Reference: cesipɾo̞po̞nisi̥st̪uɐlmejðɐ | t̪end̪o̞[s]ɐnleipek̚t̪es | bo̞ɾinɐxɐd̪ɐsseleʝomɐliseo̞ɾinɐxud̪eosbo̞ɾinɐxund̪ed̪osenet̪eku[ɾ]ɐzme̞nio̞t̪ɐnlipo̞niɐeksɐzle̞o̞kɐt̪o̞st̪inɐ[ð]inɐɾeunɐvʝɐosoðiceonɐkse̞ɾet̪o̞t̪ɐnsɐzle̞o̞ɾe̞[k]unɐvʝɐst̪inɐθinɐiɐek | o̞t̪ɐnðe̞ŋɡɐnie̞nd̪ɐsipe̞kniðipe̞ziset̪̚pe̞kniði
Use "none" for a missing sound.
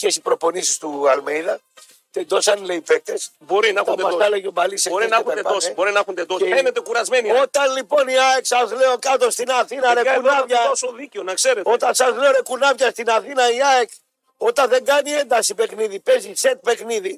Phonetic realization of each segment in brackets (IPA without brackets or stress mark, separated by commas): s, ɾ, θ, k